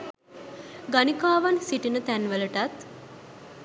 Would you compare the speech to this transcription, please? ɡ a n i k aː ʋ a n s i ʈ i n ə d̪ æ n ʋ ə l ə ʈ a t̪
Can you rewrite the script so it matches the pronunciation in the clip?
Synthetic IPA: ɡ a n i k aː ʋ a n s i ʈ i n ə t̪ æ n ʋ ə l ə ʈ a t̪